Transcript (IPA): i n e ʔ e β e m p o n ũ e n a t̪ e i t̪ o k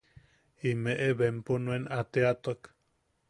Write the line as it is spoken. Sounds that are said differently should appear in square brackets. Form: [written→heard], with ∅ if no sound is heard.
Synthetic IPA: i [n→m] e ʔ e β e m p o n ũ e n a t̪ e [i→a] t̪ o k